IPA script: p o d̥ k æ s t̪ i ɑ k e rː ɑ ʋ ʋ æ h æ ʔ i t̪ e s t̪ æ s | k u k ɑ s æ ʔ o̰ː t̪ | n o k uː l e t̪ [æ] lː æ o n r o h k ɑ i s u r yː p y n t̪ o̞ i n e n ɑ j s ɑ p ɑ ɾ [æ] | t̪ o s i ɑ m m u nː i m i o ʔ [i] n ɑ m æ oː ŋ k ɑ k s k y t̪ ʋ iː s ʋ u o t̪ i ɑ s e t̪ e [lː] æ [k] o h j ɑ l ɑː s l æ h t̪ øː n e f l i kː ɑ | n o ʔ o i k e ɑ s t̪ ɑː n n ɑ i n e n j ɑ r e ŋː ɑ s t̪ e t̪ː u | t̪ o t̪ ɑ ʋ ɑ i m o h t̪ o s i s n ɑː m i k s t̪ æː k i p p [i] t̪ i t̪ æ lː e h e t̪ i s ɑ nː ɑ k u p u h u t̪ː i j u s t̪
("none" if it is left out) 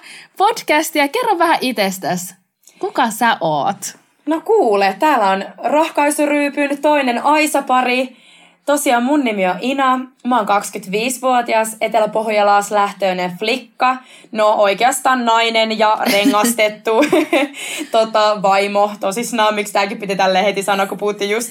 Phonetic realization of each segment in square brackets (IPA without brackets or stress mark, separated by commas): æː, i, i, l, p, i